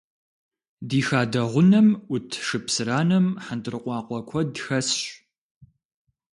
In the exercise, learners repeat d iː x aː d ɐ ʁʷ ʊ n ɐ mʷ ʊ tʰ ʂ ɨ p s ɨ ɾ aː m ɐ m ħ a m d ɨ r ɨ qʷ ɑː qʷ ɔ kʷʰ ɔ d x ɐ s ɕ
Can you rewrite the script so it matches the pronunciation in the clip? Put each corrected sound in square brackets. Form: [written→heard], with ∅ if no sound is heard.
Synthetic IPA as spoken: d iː x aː d ɐ ʁʷ ʊ n ɐ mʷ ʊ tʰ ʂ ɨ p s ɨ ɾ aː [m→n] ɐ m ħ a [m→n] d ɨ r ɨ qʷ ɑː qʷ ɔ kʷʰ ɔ d x ɐ s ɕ